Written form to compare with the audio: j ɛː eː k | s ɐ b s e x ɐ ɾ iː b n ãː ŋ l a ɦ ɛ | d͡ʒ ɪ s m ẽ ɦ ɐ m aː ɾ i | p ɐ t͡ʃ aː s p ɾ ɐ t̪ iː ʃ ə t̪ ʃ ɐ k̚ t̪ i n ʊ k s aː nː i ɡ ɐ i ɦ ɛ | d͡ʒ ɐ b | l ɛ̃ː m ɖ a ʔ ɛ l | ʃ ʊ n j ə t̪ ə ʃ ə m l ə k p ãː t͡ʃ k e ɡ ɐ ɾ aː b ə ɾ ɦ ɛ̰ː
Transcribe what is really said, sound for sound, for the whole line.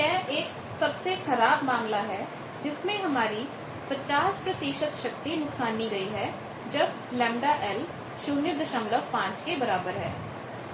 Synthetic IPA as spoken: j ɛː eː k | s ɐ b s e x ɐ ɾ aː b m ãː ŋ l a ɦ ɛ | d͡ʒ ɪ s m ẽ ɦ ɐ m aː ɾ i | p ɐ t͡ʃ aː s p ɾ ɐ t̪ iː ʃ ə t̪ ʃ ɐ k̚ t̪ i n ʊ k s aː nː i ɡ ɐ i ɦ ɛ | d͡ʒ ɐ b | l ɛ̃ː m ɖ a ʔ ɛ l | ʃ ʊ n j ə d̪ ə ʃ ə m l ə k p ãː t͡ʃ k e b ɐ ɾ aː b ə ɾ ɦ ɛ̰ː